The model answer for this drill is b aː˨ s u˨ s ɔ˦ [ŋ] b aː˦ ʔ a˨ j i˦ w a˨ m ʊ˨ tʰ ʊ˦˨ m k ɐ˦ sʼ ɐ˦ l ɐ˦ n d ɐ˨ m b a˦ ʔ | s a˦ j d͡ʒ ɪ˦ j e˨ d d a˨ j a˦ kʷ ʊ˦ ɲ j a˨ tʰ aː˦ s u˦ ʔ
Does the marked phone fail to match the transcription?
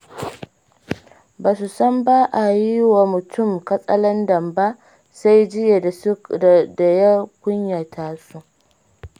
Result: yes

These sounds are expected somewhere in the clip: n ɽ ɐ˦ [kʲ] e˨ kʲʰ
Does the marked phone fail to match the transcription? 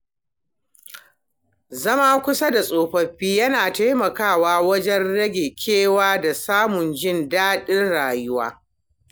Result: yes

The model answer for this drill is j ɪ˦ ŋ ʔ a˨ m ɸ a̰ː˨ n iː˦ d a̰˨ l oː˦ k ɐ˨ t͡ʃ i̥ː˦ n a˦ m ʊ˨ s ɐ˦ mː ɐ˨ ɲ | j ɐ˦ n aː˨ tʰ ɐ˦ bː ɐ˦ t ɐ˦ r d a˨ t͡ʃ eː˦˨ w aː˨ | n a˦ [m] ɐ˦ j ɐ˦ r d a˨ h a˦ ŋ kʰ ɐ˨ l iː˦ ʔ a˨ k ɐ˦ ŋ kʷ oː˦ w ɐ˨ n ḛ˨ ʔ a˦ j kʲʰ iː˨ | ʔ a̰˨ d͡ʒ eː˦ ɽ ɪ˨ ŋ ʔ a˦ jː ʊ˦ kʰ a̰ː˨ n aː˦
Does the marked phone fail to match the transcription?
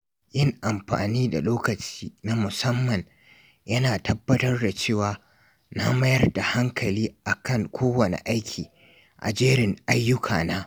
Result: no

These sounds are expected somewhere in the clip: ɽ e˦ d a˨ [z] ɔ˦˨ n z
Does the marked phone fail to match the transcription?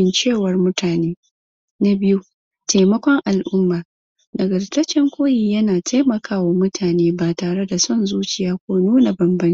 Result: yes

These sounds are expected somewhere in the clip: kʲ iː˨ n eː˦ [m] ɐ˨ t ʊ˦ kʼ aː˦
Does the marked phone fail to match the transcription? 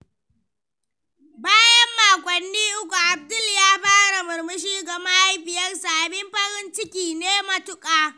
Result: no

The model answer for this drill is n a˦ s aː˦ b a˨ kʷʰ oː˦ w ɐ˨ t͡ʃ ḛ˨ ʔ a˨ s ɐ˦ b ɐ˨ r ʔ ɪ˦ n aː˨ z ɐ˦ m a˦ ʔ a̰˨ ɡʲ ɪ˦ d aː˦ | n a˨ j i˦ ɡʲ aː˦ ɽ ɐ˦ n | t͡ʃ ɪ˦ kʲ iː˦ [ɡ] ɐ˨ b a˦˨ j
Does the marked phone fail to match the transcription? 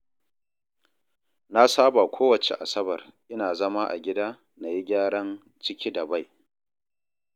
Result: yes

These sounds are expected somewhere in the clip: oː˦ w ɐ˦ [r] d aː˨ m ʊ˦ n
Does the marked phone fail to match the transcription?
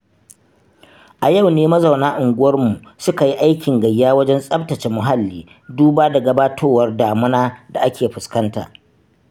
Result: no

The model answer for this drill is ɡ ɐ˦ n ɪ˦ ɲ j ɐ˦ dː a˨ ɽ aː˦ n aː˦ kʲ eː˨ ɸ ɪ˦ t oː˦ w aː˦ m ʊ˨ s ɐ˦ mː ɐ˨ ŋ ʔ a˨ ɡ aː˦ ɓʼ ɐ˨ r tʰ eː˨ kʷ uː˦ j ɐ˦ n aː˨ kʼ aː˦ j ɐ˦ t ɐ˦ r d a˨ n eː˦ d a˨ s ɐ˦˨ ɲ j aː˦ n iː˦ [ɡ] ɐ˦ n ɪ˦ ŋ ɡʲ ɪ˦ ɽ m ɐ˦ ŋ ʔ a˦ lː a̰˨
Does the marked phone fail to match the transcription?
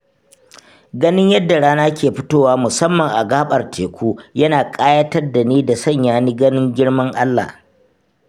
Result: no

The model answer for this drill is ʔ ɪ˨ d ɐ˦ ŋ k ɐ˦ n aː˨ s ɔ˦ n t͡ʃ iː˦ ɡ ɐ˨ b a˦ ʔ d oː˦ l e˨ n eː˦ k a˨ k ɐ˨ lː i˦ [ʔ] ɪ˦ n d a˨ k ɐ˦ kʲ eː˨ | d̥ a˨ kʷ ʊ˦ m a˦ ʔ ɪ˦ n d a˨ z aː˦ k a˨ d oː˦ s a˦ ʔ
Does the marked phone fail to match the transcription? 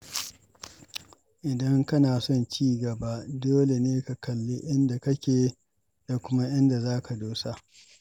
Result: no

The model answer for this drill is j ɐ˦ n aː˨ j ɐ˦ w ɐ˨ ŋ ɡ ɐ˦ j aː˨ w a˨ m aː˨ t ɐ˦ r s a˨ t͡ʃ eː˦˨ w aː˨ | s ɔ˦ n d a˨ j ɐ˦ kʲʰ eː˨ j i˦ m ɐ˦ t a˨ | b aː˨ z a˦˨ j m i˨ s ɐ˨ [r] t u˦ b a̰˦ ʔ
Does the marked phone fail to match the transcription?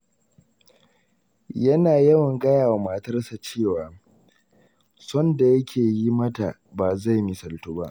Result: yes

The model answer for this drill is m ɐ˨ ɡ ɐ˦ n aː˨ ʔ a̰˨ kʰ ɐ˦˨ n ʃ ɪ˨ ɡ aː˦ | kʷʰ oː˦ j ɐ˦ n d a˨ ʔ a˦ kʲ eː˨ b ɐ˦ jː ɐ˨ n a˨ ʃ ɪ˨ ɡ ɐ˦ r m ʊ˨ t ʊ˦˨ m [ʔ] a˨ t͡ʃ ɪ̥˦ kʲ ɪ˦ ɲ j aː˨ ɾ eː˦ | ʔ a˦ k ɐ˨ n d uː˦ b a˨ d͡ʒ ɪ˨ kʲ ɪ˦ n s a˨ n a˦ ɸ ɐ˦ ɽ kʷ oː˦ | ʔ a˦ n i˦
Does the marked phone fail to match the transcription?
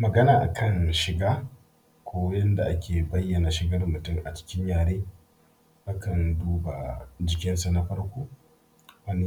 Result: no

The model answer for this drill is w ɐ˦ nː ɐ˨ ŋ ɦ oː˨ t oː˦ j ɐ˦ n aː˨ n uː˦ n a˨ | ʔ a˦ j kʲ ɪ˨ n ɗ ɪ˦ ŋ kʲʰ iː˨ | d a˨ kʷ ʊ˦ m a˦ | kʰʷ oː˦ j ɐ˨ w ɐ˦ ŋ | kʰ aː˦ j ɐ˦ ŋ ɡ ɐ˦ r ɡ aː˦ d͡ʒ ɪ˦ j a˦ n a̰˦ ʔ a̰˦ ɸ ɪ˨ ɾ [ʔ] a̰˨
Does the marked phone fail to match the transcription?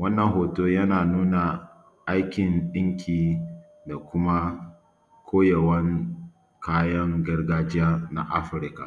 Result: yes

